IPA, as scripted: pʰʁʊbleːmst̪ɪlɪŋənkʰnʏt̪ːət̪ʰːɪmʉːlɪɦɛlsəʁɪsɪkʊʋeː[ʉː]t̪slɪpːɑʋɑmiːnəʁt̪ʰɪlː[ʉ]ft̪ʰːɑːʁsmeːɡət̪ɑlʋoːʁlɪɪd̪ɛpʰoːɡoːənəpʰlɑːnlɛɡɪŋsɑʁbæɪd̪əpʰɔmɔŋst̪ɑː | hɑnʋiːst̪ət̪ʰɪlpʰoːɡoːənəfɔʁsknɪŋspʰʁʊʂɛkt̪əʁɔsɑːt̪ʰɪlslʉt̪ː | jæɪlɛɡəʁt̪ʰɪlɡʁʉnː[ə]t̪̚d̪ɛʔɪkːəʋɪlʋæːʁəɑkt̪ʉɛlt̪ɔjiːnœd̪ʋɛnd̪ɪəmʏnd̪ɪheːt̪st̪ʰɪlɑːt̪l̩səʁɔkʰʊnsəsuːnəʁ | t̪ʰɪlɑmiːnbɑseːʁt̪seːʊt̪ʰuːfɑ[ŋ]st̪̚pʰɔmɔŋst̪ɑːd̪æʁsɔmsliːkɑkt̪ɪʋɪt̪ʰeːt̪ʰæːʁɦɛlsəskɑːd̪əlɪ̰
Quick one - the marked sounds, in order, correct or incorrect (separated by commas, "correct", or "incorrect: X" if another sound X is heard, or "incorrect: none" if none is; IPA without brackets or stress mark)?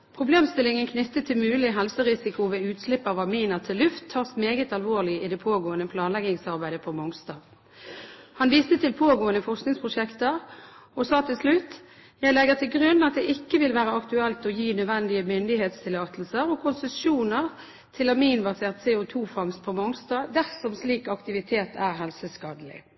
correct, correct, incorrect: ɑ, correct